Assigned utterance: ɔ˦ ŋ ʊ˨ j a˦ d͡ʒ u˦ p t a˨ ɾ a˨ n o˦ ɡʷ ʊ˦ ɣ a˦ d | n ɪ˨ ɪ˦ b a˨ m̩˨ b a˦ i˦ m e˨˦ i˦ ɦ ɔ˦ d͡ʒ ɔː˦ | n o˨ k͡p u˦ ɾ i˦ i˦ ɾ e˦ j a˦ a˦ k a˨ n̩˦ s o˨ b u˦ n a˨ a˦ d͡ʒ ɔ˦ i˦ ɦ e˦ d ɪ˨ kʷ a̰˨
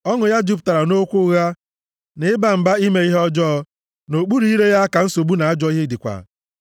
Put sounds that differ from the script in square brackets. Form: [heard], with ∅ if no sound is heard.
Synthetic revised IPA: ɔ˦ ŋ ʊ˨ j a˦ d͡ʒ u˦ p t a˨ ɾ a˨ n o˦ [kʷ] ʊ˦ ɣ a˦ [∅] | n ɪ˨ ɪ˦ b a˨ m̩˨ b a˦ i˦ m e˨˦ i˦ ɦ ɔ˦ d͡ʒ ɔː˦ | n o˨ k͡p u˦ ɾ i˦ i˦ ɾ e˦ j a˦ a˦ k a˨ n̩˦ s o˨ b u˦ n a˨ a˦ d͡ʒ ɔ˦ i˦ ɦ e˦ d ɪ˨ kʷ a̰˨